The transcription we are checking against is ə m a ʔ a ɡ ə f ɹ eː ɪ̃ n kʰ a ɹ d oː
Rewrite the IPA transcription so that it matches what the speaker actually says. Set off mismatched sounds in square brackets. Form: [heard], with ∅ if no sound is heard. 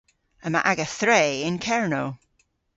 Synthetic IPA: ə m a ʔ a ɡ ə [θ] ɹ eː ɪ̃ n kʰ [ɛ] ɹ [n] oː